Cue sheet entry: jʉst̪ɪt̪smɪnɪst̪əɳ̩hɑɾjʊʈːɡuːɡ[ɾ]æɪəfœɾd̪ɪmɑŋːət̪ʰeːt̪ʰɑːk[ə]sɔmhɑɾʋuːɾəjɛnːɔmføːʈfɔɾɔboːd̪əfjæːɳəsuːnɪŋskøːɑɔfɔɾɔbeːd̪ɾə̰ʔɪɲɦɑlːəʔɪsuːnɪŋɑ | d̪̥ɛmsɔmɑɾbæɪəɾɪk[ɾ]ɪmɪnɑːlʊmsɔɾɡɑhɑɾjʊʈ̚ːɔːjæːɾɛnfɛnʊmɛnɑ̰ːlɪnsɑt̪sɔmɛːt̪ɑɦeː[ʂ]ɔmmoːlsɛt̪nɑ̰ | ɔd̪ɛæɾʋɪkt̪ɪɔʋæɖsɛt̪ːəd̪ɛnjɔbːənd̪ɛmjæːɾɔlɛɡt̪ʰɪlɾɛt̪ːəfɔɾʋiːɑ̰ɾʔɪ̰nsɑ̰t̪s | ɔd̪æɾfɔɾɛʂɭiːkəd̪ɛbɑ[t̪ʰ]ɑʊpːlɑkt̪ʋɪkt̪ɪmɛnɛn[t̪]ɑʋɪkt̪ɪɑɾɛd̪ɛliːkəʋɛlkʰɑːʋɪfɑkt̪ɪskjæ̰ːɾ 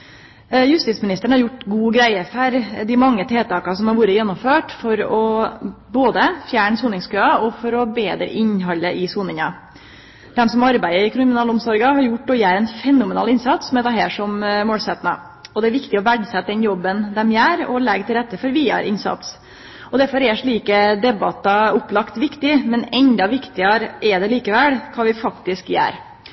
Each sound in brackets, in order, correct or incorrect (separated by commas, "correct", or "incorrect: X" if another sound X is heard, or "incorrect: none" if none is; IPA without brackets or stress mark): correct, incorrect: ɑ, correct, correct, incorrect: t̪, incorrect: d̪